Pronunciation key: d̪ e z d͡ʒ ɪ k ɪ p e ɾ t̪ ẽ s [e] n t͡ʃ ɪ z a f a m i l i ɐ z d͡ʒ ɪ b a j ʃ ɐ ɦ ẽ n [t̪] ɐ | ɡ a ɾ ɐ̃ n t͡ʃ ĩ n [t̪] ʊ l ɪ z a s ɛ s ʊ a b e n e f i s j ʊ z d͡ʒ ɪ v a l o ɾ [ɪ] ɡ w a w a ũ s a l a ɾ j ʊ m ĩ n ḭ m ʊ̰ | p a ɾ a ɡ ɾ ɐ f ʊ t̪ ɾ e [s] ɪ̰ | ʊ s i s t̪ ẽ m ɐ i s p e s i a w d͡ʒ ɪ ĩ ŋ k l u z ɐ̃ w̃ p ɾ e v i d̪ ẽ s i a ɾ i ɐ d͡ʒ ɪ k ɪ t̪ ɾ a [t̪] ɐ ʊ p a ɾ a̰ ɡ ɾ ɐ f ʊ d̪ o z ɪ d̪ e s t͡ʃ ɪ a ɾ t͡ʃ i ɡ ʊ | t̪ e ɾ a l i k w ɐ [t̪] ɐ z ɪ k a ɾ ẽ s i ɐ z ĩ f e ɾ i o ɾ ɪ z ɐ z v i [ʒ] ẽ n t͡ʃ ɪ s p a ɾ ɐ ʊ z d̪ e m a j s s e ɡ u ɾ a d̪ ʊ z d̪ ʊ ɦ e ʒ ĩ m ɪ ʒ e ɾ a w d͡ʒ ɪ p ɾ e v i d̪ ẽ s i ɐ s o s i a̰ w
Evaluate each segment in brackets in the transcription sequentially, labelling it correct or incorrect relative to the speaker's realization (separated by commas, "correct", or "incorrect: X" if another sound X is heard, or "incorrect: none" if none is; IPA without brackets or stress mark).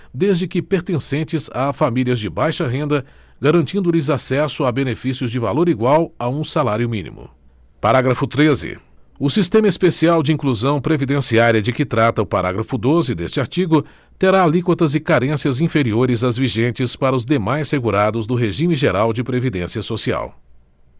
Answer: incorrect: ẽ, incorrect: d̪, incorrect: d̪, incorrect: i, incorrect: z, correct, correct, correct